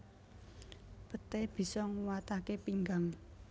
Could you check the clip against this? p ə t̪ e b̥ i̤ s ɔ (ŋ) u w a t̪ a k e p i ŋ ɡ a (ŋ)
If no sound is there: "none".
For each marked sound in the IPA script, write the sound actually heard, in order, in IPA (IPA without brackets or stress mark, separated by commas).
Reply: ŋ, ŋ